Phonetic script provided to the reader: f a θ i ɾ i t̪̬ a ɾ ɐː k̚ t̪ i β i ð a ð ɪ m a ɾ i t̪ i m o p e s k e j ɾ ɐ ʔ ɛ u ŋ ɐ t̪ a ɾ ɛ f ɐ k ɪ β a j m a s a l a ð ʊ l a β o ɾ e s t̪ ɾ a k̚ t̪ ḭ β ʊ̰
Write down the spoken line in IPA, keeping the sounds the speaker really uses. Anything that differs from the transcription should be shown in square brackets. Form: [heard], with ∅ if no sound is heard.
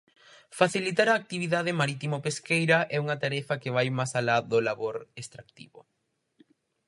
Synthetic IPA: f a θ i [l] i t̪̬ a ɾ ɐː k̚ t̪ i β i ð a ð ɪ m a ɾ i t̪ i m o p e s k e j ɾ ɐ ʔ ɛ u ŋ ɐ t̪ a ɾ ɛ f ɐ k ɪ β a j m a s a l a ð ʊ l a β o ɾ e s t̪ ɾ a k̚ t̪ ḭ β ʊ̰

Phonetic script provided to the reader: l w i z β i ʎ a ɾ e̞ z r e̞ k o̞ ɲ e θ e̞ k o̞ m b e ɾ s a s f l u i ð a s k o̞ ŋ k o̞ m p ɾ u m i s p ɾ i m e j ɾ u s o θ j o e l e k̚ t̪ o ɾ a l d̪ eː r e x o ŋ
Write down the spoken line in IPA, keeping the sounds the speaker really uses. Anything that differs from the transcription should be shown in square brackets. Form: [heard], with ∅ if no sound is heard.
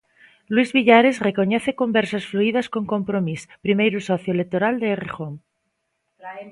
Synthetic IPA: l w i z β i ʎ a ɾ e̞ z r e̞ k o̞ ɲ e θ e̞ k o̞ m b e ɾ s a s f l u i ð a s k o̞ ŋ k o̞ m p ɾ [o] m i s p ɾ i m e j ɾ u s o θ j o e l e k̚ t̪ o ɾ a l d̪ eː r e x o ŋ

